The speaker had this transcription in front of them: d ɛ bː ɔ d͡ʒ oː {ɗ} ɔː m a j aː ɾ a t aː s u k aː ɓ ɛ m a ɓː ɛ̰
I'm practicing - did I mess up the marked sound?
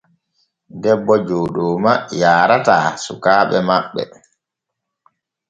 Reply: no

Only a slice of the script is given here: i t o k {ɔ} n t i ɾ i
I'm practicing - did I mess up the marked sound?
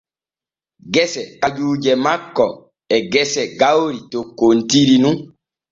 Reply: yes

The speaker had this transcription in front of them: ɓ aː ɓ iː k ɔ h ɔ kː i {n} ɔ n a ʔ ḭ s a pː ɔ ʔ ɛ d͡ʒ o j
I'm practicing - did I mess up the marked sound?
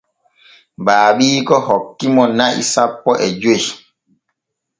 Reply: yes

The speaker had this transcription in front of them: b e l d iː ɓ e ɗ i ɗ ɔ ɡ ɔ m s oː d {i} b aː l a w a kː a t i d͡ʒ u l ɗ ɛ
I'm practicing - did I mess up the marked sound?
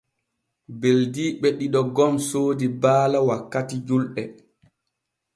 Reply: no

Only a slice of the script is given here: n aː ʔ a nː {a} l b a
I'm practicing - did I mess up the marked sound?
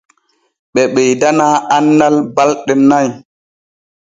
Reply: no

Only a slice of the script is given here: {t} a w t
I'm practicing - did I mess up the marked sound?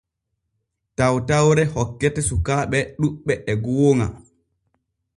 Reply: no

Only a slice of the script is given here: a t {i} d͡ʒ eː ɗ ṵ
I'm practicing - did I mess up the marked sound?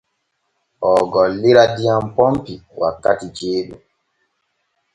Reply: no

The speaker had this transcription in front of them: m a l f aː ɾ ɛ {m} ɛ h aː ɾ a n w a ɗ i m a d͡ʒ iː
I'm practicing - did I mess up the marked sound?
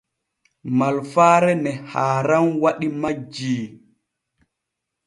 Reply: yes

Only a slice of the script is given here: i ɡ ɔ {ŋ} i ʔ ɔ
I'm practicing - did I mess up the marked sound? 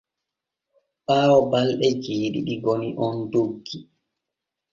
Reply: yes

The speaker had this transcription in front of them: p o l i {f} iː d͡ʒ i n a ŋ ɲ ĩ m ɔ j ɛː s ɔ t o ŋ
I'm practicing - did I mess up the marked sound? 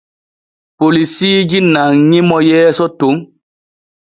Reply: yes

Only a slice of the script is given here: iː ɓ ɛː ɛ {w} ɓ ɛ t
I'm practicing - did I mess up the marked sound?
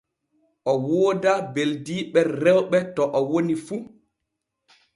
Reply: no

